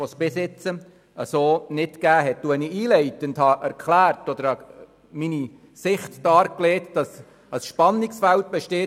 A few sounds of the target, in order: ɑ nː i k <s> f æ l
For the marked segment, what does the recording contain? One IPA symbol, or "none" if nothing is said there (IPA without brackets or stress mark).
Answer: s